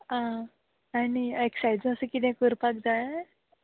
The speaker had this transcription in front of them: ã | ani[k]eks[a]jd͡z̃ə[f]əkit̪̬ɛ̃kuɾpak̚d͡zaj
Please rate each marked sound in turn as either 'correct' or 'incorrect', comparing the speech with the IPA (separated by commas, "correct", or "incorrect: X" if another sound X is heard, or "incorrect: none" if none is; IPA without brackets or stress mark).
incorrect: none, correct, incorrect: s